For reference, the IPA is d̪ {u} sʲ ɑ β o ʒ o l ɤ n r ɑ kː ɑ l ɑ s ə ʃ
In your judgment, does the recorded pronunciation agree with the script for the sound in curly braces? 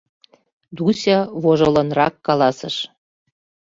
yes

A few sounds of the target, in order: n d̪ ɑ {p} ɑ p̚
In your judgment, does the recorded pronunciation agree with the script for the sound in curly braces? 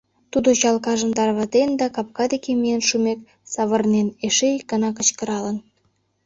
no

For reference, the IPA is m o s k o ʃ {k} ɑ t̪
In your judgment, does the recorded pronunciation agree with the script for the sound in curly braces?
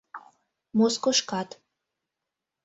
yes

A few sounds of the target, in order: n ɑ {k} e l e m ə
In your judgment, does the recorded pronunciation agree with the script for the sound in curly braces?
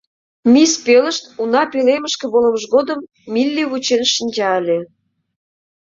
no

